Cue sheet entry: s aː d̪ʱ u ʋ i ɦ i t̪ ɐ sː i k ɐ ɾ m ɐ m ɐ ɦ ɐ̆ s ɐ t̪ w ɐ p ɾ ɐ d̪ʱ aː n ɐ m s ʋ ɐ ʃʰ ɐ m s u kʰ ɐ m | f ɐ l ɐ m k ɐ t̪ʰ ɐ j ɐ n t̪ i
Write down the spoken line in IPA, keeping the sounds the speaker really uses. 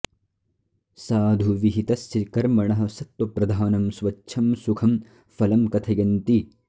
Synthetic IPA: s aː d̪ʱ u ʋ i ɦ i t̪ ɐ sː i k ɐ ɾ m ɐ ɳ ɐ ɦ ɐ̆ s ɐ t̪ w ɐ p ɾ ɐ d̪ʱ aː n ɐ m s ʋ ɐ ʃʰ ɐ m s u kʰ ɐ m | f ɐ l ɐ m k ɐ t̪ʰ ɐ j ɐ n t̪ i